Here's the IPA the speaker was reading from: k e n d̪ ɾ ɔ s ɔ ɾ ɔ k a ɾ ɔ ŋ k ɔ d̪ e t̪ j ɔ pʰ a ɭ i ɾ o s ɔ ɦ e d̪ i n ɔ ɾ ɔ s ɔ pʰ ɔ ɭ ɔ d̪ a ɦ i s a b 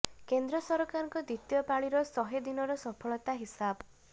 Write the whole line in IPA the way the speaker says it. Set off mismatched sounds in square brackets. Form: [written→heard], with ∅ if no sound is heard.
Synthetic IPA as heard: k e n d̪ ɾ ɔ s ɔ ɾ ɔ k a ɾ ɔ ŋ k ɔ d̪ [e→i] t̪ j ɔ [pʰ→p] a ɭ i ɾ [o→ɔ] s ɔ ɦ e d̪ i n ɔ ɾ ɔ s ɔ pʰ ɔ ɭ ɔ [d̪→t̪] a ɦ i s a b